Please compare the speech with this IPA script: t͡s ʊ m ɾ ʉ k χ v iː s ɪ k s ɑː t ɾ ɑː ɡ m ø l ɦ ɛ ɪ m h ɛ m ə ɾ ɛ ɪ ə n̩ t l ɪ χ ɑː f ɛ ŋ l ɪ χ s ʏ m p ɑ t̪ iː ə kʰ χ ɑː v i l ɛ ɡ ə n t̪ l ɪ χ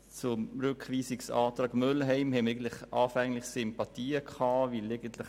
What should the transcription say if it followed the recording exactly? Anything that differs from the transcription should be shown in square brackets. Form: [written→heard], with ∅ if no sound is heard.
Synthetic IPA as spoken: t͡s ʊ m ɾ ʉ k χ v iː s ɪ k s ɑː t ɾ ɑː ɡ m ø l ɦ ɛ ɪ m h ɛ m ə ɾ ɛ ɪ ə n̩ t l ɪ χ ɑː f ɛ ŋ l ɪ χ s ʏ m p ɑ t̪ iː ə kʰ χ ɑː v i l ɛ ɡ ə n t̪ l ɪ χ